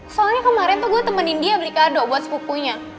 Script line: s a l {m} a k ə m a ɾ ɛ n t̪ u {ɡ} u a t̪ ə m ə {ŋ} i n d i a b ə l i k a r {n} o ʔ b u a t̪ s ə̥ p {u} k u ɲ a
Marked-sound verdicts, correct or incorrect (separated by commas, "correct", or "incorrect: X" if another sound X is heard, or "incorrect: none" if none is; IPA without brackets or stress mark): incorrect: ɲ, correct, incorrect: n, incorrect: d, correct